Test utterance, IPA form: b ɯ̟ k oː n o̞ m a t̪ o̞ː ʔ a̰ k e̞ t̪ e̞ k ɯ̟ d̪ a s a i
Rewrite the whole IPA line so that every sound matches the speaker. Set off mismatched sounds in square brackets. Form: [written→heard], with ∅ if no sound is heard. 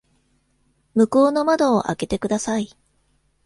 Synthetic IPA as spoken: [b→m] ɯ̟ k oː n o̞ m a [t̪→d̪] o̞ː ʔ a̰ k e̞ t̪ e̞ k ɯ̟ d̪ a s a i